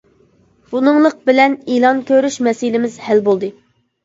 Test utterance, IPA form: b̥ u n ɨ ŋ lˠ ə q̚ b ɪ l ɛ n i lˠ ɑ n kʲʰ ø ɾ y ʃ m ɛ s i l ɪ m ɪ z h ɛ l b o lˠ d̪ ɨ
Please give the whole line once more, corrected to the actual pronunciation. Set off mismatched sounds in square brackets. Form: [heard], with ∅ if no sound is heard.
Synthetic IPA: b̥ u n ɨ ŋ lˠ ə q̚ b ɪ l ɛ n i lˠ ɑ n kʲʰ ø ɾ y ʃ m ɛ s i l ɪ m ɪ z h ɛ l b o lˠ d̪ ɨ